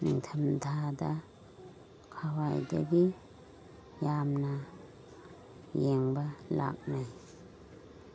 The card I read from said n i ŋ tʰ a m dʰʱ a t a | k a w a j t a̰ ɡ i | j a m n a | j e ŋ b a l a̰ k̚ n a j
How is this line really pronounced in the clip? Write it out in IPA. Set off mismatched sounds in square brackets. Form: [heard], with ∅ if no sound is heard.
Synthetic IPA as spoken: n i ŋ tʰ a m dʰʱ a [d] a | [kʰ] a w a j [d] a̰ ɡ i | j a m n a | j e ŋ b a l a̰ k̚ n a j

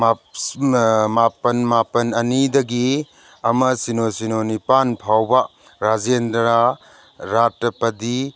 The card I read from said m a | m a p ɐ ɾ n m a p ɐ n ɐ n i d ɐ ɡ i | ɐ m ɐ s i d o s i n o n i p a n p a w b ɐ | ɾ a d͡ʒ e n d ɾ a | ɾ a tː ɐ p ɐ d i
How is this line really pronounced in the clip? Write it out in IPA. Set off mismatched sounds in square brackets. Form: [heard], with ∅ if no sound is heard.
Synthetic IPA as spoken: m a | m a p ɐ [∅] n m a p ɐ n ɐ n i d ɐ ɡ i | ɐ m ɐ s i [n] o s i n o n i p a n [pʰ] a w b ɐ | ɾ a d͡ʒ e n d ɾ a | ɾ a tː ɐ p ɐ d i

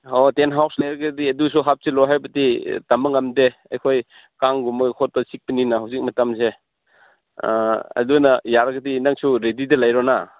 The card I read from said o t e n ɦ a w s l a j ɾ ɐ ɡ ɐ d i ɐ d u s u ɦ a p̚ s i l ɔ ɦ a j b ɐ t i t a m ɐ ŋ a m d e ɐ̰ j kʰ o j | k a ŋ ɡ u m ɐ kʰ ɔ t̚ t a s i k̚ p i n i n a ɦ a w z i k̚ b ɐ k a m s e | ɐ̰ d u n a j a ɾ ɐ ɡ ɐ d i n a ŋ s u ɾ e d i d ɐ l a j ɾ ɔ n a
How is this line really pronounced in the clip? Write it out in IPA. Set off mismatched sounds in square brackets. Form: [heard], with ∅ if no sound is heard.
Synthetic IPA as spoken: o t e n ɦ a w s l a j ɾ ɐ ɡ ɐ d i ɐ d u s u ɦ a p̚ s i l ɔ ɦ a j b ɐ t i t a m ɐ ŋ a m d e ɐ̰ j kʰ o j | k a ŋ ɡ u m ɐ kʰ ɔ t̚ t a s i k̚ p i n i n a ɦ a w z i k̚ [m] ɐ [t] a m s e | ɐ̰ d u n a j a ɾ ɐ ɡ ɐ d i n a ŋ s u ɾ e d i d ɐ l a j ɾ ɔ n a

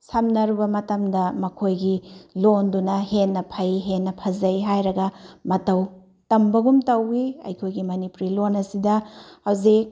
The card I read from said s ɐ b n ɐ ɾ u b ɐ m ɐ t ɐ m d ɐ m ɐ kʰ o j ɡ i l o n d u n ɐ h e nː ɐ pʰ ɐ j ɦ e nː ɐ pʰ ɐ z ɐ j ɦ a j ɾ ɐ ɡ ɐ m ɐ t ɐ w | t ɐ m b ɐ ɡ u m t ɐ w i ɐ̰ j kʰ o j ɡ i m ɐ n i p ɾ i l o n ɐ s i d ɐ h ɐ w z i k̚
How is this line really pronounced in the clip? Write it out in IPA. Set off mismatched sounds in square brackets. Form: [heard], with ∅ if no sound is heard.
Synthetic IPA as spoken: s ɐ [m] n ɐ ɾ u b ɐ m ɐ t ɐ m d ɐ m ɐ kʰ o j ɡ i l o n d u n ɐ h e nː ɐ pʰ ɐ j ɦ e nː ɐ pʰ ɐ z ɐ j ɦ a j ɾ ɐ ɡ ɐ m ɐ t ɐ w | t ɐ m b ɐ ɡ u m t ɐ w i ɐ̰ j kʰ o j ɡ i m ɐ n i p ɾ i l o n ɐ s i d ɐ h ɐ w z i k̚

